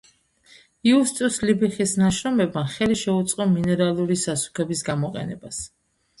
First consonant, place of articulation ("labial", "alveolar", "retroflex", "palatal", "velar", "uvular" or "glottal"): alveolar